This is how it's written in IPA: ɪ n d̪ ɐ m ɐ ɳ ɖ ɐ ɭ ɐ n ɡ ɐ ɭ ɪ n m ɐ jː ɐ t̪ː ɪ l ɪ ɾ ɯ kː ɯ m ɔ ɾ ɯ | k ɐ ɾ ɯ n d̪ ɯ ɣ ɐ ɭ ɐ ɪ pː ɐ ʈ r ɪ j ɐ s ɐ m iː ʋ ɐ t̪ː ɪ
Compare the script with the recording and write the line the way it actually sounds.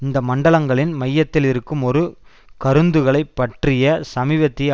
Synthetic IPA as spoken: ɪ n d̪ ɐ m ɐ ɳ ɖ ɐ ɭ ɐ ŋ ɡ ɐ ɭ ɪ n m ɐ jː ɐ t̪ː ɪ l ɪ ɾ ɯ kː ɯ m ɔ ɾ ɯ | k ɐ ɾ ɯ n d̪ ɯ ɣ ɐ ɭ ɐ ɪ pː ɐ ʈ r ɪ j ɐ s ɐ m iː ʋ ɐ t̪ː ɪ